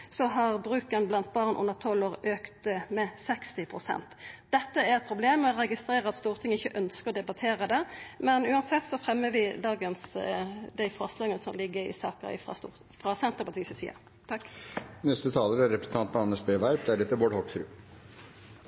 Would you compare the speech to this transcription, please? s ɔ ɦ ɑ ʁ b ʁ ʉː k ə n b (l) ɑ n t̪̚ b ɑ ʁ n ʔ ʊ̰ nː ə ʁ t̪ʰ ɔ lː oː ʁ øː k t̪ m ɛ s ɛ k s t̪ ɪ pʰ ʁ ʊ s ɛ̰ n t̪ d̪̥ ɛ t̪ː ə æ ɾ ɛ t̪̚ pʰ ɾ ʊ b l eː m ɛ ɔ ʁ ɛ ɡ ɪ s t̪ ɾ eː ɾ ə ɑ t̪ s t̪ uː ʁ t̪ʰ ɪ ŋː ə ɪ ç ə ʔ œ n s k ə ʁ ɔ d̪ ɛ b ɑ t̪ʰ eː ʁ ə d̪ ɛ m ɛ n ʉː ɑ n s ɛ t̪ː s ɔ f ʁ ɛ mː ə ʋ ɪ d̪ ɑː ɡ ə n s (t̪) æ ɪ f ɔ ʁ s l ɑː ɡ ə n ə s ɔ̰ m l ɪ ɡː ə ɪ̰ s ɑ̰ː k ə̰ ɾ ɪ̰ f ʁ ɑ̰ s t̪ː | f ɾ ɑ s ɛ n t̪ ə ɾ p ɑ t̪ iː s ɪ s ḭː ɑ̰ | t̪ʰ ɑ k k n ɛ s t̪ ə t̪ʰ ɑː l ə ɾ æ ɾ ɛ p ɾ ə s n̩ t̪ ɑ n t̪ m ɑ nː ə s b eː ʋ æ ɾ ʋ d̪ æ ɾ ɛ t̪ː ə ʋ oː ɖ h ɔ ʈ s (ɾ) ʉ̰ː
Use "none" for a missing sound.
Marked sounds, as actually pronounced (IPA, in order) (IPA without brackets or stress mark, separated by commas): l, d̪, ɾ